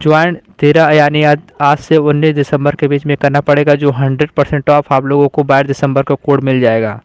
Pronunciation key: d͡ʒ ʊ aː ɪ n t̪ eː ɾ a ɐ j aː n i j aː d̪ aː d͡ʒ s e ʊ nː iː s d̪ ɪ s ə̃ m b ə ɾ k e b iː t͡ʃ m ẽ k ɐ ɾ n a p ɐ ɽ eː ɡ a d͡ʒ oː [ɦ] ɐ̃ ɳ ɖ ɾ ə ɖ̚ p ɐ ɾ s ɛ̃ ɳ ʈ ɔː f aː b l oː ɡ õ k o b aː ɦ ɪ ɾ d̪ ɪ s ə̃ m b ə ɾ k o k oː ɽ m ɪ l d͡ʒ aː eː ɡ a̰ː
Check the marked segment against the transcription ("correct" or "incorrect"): correct